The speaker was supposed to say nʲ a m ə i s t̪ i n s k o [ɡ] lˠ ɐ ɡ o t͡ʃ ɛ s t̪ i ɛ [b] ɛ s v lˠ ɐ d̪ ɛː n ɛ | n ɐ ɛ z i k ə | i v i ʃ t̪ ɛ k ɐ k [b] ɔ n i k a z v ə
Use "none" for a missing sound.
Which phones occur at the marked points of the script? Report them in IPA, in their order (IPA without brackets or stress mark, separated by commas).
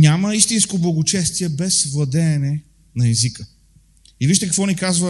b, b, v